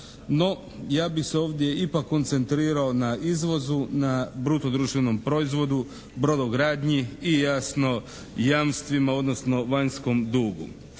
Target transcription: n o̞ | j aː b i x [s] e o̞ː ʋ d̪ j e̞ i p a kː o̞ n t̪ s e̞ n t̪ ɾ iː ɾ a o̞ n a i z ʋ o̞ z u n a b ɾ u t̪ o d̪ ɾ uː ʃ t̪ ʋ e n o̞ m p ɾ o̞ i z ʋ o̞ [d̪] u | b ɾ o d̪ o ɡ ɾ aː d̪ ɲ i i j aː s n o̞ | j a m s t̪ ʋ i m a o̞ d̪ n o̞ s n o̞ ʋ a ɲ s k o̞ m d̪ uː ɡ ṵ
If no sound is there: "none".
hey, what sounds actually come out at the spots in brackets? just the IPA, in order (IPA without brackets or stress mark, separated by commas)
s, d̪